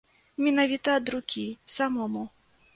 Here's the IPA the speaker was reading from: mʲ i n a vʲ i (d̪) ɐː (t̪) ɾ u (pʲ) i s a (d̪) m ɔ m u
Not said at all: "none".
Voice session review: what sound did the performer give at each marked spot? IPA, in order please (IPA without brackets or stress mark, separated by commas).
t̪, d̪, kʲ, none